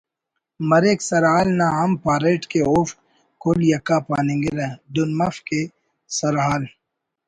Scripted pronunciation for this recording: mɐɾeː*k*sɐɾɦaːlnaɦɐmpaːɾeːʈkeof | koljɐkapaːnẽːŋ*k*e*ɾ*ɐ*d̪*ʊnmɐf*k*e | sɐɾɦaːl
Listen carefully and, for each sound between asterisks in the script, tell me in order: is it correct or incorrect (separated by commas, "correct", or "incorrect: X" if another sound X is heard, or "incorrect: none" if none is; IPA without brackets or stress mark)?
correct, incorrect: ɡ, correct, correct, correct